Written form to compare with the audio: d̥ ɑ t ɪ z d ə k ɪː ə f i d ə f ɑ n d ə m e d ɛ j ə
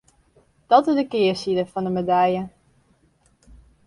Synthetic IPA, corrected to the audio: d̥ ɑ t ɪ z d ə k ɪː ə s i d ə f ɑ n d ə m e d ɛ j ə